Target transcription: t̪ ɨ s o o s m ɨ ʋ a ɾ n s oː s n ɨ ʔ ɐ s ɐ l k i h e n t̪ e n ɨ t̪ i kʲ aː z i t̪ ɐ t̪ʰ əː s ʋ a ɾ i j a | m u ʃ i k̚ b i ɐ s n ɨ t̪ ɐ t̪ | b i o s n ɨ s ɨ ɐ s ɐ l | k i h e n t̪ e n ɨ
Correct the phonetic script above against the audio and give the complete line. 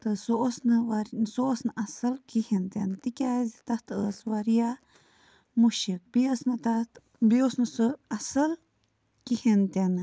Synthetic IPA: t̪ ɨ s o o s n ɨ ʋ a ɾ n s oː s n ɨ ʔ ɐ s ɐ l k i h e n t̪ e n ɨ t̪ i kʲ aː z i t̪ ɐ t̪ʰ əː s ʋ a ɾ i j a | m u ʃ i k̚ b i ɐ s n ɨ t̪ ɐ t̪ | b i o s n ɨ s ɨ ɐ s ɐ l | k i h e n t̪ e n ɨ